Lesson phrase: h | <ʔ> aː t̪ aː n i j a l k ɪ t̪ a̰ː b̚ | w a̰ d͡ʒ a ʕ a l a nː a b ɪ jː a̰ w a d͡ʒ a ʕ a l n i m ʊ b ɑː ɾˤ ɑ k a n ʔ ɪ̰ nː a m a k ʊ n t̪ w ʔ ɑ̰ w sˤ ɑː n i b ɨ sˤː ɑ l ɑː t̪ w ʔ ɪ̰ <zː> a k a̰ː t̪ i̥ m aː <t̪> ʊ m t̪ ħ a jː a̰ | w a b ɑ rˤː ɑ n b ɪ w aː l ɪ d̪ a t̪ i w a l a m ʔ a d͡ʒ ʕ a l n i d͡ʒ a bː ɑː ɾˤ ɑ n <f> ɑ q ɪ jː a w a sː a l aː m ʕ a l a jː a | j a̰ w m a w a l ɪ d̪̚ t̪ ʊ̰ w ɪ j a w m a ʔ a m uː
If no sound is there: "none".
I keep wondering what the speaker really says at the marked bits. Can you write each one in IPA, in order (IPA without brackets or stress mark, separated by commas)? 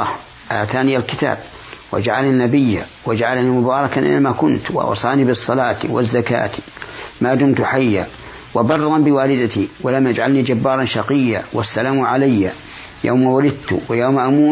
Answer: ʔ, zː, d̪, ʃ